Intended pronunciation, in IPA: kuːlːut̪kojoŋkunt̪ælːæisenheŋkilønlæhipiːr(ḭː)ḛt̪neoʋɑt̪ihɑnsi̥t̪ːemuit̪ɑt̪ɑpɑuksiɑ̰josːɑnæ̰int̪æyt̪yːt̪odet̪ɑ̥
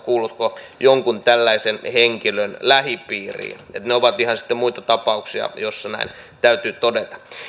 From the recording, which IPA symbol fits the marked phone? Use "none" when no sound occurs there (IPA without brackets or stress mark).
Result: ḭː